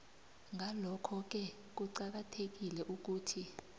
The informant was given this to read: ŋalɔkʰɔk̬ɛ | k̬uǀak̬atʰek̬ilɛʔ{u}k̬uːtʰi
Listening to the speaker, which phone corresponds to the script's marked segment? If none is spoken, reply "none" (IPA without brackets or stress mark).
u